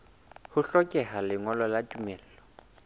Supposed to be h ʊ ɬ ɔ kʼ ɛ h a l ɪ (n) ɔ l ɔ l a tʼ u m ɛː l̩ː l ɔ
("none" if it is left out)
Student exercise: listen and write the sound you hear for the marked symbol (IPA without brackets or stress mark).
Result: ŋ